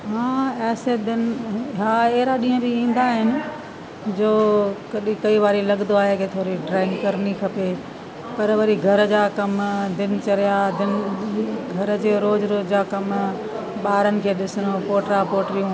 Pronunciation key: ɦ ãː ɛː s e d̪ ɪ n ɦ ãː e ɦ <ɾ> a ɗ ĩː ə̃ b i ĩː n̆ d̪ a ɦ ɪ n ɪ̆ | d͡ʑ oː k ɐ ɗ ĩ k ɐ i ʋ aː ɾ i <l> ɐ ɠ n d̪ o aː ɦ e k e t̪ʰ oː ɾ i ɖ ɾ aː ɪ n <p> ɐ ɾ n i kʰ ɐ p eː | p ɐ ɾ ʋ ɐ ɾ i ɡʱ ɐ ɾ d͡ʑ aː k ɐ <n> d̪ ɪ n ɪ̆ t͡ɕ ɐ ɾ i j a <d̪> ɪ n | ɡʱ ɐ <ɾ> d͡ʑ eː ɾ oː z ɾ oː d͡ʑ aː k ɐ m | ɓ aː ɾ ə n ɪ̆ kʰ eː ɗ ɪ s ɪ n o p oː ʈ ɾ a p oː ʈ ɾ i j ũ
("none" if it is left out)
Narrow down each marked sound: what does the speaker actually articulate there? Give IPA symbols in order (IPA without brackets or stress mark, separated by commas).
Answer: ɾ, l, k, m, d̪, ɾ